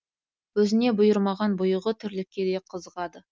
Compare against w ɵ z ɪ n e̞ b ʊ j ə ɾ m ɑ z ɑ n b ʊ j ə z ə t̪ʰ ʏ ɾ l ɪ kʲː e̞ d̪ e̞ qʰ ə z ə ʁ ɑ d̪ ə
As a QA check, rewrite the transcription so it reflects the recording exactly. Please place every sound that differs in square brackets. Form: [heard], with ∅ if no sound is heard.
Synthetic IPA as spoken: w ɵ z ɪ n e̞ b ʊ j ə ɾ m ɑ [ʁ] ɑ n b ʊ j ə [ʁ] ə t̪ʰ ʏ ɾ l ɪ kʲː e̞ d̪ e̞ qʰ ə z ə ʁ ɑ d̪ ə